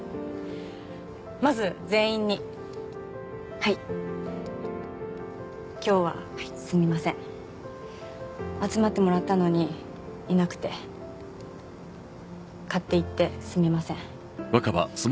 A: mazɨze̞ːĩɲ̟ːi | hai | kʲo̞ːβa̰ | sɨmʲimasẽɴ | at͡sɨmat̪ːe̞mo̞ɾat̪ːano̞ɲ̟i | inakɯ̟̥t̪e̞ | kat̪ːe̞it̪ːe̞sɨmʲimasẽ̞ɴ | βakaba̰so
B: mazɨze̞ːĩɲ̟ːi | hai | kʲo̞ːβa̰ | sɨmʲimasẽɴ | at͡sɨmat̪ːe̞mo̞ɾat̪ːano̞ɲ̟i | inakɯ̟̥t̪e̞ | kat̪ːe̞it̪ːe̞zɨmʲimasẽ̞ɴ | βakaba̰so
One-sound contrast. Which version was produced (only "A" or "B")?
A